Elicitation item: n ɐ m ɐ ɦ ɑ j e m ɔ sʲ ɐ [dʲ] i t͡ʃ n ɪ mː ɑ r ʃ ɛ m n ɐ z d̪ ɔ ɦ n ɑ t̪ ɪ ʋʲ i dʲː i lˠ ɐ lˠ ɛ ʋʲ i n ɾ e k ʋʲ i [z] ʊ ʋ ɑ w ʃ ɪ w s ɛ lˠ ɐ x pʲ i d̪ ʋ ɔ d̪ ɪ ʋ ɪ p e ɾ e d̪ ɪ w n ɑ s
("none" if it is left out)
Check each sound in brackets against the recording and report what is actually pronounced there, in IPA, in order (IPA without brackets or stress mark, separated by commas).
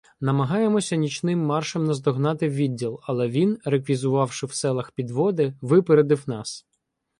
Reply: nʲ, z